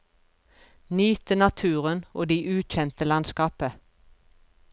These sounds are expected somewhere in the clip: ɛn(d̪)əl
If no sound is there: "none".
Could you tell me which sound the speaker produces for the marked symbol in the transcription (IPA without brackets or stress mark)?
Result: t̪